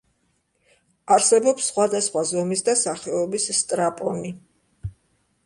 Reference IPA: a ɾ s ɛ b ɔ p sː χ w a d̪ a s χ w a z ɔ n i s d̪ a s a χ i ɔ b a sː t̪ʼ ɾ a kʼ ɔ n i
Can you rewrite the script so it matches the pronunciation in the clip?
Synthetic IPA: a ɾ s ɛ b ɔ p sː χ w a d̪ a s χ w a z ɔ m i s d̪ a s a χ ɛ ɔ b i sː t̪ʼ ɾ a pʼ ɔ n i